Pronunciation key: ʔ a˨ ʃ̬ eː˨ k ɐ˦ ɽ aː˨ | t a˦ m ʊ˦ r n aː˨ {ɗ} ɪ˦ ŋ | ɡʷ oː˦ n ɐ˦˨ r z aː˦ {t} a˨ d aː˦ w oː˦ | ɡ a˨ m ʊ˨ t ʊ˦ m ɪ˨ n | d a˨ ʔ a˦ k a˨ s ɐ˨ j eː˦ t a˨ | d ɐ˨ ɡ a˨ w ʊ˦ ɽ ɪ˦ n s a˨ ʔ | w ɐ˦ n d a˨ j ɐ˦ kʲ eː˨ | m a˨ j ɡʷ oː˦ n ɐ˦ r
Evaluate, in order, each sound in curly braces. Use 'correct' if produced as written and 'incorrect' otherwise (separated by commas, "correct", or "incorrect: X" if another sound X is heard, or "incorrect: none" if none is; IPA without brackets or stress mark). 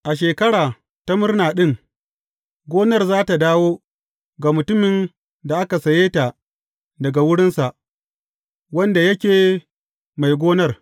correct, correct